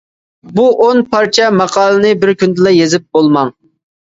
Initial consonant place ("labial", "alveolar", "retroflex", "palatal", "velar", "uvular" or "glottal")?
labial